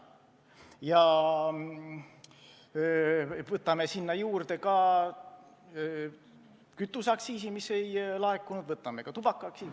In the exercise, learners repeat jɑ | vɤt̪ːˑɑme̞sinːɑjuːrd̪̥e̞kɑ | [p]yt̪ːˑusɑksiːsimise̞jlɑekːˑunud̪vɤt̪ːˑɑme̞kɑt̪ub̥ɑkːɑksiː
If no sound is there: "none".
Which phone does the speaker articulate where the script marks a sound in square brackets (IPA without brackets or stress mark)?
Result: k